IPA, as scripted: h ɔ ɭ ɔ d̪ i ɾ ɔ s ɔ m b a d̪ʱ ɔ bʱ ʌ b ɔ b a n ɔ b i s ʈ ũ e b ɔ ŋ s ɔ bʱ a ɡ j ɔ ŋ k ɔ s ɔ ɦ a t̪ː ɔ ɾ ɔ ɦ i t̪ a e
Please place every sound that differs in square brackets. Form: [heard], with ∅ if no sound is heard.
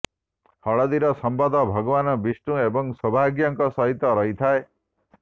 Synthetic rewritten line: h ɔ ɭ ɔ d̪ i ɾ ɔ s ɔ m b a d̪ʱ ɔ bʱ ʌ [ɡ] ɔ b a n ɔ b i s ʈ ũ e b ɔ ŋ s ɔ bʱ a ɡ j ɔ ŋ k ɔ s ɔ ɦ [i] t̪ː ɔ ɾ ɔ ɦ i [t̪ʰ] a e